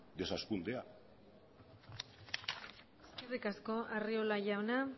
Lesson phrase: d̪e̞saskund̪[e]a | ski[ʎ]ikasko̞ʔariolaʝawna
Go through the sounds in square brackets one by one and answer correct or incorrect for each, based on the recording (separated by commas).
correct, incorrect